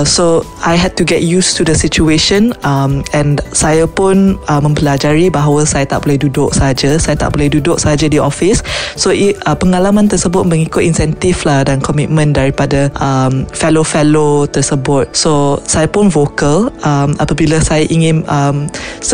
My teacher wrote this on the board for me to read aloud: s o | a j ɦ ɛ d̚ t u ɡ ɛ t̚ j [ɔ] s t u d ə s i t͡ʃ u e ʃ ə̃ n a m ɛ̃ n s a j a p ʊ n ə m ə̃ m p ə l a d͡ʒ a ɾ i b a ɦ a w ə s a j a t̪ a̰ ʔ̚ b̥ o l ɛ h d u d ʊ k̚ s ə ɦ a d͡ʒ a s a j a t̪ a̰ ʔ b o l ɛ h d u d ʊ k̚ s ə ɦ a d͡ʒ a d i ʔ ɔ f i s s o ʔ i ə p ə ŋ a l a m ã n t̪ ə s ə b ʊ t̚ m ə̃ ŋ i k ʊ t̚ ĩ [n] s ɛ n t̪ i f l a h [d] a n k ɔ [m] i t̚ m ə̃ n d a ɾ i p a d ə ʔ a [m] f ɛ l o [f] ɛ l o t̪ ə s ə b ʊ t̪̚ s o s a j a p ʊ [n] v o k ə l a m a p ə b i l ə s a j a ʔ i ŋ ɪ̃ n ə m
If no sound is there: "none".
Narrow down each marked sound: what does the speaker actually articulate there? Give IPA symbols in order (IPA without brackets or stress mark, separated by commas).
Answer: u, n, d, m, m, f, n